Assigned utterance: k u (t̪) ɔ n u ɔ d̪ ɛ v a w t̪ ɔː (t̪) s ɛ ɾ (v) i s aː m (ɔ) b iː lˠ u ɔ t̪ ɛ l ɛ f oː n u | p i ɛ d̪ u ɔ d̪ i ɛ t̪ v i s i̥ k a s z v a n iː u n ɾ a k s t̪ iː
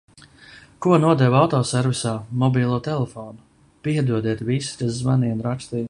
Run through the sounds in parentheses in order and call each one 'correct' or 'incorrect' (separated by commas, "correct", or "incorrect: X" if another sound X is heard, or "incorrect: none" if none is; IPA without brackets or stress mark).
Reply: incorrect: none, incorrect: none, correct, correct